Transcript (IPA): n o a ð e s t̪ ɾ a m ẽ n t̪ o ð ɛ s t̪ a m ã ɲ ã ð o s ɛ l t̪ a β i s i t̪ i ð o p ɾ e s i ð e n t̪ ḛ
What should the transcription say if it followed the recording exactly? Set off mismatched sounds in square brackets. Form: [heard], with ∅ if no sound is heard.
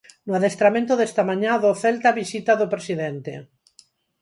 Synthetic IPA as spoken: n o a ð e s t̪ ɾ a m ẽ n t̪ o ð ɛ s t̪ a m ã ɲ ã ð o [θ] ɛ l t̪ a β i s i t̪ [a] ð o p ɾ e s i ð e n t̪ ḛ